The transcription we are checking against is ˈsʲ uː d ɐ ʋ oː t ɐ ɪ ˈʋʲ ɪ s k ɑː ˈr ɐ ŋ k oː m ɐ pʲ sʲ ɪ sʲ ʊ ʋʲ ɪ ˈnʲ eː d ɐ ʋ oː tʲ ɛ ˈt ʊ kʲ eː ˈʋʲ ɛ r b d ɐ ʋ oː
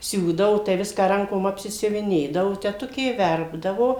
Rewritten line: ˈsʲ uː d ɐ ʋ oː t ɐ ɪ ˈʋʲ ɪ s k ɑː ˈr ɐ ŋ k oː m ɐ pʲ sʲ ɪ sʲ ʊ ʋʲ ɪ ˈnʲ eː d ɐ ʋ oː tʲ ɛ ˈt ʊ kʲ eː ˈʋʲ ɛ r b d ɐ ʋ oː